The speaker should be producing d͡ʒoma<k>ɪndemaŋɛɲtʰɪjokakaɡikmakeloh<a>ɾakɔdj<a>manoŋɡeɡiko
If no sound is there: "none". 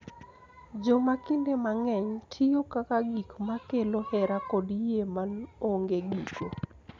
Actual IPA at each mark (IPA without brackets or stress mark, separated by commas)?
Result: k, ɛ, e